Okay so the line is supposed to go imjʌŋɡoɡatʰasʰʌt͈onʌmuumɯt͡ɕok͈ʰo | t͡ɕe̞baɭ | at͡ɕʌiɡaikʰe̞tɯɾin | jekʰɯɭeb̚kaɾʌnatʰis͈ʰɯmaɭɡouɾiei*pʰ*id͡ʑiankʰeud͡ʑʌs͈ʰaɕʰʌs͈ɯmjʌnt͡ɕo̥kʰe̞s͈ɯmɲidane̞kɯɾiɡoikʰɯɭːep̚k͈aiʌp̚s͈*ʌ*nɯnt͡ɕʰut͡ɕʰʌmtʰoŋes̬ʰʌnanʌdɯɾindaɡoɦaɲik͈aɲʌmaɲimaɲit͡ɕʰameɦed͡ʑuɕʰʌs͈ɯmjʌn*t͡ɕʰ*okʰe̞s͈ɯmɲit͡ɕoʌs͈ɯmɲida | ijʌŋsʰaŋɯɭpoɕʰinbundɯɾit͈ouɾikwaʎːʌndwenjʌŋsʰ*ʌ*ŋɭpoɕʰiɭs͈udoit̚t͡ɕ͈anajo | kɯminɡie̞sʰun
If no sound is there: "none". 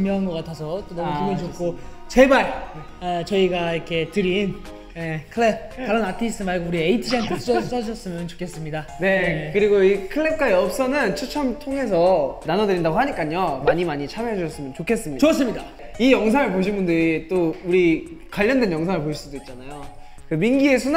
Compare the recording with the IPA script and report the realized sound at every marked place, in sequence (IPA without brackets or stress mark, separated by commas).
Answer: tʰ, ʌ, t͡ɕ, a